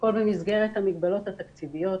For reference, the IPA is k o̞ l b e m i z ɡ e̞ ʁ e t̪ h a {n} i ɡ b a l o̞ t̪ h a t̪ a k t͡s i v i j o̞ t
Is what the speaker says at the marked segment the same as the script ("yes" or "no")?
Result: no